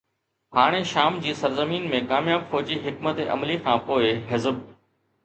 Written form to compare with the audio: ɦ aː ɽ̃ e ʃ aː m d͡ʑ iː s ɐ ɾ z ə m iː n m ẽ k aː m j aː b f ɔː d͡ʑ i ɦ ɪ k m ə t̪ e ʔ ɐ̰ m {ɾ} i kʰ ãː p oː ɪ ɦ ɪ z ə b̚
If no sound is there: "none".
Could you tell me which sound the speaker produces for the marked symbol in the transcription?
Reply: l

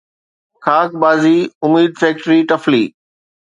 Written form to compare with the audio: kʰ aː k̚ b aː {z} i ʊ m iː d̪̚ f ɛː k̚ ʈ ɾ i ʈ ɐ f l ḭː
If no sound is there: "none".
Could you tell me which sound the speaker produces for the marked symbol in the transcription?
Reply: z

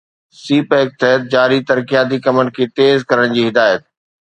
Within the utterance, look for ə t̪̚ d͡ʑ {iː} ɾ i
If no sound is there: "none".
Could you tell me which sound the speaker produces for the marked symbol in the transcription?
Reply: aː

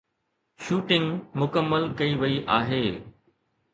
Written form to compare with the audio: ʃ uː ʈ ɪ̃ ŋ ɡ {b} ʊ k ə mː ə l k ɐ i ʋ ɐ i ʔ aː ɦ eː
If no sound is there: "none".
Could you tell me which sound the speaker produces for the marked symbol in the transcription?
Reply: m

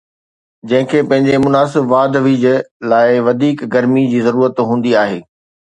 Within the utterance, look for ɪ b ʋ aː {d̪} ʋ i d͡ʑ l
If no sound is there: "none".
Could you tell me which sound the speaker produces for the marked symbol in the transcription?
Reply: d̪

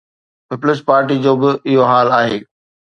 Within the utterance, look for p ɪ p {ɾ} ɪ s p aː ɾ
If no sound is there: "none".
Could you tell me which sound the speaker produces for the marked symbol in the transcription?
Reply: l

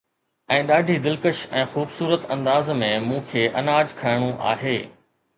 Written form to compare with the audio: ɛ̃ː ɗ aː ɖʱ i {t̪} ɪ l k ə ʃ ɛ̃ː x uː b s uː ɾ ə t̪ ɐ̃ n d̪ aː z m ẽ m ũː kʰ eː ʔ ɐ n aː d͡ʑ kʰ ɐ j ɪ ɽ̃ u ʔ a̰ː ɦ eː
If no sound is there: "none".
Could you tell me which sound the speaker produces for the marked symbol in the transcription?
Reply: d̪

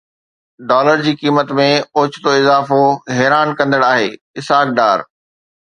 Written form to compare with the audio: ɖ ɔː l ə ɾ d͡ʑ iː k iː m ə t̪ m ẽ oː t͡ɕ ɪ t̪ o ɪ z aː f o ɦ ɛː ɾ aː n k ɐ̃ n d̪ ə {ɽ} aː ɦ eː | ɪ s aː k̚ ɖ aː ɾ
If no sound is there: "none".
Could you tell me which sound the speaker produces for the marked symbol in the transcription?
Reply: ɽ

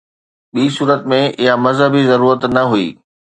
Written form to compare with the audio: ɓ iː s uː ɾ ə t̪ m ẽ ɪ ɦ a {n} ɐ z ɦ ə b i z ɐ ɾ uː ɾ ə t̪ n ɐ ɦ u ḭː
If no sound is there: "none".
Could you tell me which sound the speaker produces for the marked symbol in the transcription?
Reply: m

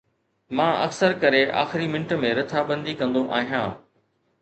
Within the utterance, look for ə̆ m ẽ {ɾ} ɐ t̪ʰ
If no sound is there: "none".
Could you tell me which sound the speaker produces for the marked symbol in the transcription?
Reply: ɾ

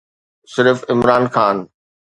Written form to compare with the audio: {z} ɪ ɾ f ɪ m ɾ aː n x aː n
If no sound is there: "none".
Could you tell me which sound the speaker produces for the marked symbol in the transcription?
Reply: s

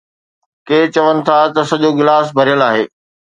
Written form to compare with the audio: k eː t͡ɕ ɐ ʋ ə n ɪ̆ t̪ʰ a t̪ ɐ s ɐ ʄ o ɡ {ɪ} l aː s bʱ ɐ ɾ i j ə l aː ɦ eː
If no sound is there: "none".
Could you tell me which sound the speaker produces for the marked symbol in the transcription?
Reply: ɪ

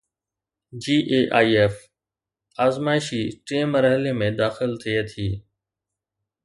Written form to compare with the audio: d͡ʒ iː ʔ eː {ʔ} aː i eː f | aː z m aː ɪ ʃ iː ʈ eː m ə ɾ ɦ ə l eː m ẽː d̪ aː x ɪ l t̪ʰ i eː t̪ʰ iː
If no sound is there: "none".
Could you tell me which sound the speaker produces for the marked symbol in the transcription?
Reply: ʔ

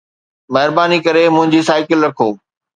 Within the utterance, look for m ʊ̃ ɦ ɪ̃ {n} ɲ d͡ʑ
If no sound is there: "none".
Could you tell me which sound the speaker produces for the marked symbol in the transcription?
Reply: none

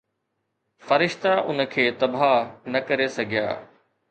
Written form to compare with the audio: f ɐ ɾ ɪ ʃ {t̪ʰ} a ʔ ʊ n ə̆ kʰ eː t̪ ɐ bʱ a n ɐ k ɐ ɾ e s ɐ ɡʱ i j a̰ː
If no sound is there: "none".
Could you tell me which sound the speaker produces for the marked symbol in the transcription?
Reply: t̪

